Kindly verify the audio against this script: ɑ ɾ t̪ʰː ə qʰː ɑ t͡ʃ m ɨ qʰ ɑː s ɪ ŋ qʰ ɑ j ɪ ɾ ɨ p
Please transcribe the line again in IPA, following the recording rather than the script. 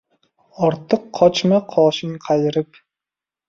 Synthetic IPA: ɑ ɾ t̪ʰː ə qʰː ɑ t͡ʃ m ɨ qʰ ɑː ʃ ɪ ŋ qʰ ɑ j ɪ ɾ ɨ p